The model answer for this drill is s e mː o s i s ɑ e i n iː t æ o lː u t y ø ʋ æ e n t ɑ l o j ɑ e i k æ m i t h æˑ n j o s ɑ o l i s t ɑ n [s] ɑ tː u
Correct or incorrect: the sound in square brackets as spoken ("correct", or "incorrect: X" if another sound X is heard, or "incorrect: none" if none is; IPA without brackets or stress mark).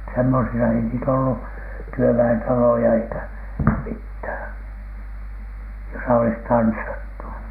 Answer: incorrect: sː